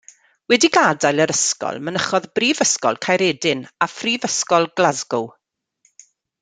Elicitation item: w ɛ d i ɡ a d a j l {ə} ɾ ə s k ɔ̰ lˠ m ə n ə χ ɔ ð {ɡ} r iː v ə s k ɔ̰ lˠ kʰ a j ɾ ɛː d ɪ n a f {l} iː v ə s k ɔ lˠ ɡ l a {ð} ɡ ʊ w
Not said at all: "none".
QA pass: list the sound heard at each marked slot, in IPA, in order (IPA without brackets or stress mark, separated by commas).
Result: ə, b, r, z